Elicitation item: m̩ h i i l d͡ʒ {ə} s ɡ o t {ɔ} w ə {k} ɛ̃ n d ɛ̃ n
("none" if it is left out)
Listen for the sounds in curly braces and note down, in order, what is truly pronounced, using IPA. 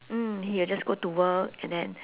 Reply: a, u, k

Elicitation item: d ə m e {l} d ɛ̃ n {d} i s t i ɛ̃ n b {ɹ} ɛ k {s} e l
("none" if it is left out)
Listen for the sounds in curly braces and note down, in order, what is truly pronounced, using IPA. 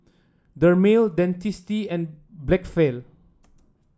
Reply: l, t, l, f

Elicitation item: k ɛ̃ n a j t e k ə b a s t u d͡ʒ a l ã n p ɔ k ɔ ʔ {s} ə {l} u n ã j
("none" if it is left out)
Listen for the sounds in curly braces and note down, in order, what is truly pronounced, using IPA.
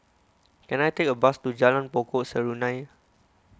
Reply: s, ɹ

